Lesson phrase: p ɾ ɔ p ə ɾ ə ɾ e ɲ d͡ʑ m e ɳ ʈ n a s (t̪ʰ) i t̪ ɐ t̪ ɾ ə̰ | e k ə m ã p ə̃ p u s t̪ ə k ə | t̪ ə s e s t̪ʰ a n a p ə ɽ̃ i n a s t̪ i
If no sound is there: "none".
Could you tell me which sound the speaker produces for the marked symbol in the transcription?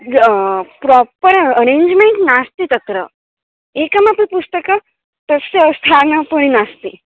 t̪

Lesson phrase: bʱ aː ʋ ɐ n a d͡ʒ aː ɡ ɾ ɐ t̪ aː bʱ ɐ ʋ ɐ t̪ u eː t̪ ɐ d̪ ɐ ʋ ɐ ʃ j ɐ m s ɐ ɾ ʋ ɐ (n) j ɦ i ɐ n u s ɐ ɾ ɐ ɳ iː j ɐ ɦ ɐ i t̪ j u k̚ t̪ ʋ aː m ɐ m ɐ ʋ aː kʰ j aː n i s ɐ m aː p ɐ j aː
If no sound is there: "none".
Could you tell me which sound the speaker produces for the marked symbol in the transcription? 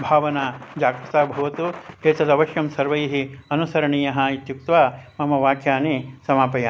none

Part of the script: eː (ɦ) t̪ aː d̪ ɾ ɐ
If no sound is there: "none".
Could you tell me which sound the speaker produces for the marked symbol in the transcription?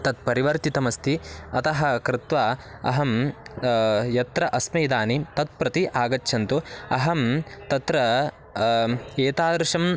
none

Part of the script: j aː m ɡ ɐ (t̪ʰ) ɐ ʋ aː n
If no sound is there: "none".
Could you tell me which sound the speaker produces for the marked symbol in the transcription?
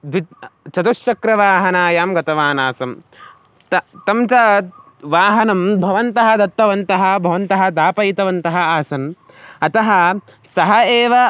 t̪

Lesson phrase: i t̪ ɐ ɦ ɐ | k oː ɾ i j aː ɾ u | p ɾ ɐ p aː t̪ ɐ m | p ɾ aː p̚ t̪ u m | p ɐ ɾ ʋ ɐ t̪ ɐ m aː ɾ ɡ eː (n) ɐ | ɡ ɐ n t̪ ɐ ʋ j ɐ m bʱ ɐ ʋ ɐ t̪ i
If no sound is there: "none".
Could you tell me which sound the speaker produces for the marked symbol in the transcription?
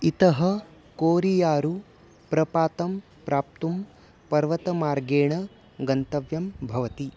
ɳ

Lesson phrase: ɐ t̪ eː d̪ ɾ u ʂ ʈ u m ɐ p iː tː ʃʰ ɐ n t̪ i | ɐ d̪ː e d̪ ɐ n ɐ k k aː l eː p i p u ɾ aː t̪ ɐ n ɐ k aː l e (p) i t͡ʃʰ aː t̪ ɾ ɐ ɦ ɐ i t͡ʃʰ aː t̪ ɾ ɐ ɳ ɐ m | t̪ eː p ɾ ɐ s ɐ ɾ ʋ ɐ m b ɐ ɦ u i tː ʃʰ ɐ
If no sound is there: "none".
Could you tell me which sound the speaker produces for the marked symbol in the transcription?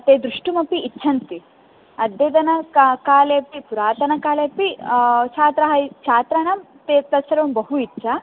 p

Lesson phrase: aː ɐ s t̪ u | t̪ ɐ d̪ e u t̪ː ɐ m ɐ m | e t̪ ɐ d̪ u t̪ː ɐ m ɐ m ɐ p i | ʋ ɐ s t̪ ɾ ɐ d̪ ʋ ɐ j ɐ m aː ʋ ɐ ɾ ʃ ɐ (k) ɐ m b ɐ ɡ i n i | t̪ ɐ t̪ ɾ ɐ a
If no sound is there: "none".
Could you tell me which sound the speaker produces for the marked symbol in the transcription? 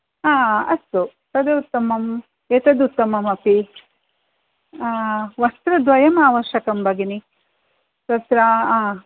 k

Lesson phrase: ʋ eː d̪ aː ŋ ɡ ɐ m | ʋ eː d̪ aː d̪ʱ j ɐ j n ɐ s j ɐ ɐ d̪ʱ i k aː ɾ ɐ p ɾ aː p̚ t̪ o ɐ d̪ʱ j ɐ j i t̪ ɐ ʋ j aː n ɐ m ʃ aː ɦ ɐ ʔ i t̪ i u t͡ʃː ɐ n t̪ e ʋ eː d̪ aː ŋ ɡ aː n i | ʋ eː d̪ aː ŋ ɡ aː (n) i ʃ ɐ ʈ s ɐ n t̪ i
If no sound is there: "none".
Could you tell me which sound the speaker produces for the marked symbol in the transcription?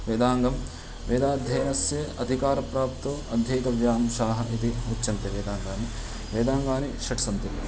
n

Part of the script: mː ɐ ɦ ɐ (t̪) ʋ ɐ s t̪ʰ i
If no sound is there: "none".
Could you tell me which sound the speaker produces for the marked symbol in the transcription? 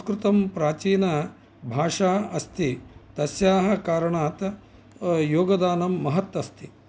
t̪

